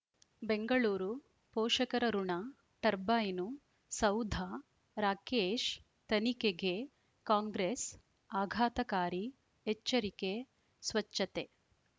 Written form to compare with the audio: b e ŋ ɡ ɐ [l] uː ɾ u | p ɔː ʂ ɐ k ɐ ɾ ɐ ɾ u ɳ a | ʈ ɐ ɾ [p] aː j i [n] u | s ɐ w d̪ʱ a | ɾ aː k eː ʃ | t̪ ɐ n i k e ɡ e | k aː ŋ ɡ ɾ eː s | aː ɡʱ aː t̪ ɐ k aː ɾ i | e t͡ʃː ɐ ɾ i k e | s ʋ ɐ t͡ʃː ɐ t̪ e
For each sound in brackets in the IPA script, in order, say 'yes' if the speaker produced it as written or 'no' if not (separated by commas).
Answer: no, no, yes